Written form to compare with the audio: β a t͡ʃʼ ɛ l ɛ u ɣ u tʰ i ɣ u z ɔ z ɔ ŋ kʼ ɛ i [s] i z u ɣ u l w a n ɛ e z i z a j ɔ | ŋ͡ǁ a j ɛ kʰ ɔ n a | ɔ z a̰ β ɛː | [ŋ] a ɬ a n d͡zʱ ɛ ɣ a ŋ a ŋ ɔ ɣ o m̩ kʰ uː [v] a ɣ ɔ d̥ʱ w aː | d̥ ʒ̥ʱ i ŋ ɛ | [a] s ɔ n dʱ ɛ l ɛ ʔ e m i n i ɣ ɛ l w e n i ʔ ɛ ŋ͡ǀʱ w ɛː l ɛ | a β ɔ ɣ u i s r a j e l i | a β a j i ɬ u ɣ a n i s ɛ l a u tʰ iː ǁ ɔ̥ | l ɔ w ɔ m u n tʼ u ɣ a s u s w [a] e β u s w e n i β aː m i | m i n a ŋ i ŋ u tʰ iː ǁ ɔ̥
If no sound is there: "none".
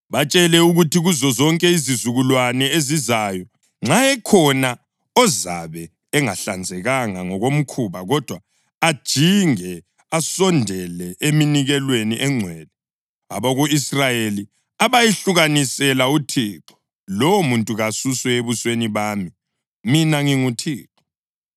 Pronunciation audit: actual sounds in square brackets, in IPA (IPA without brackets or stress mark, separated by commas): z, ŋ, β, a, ɛ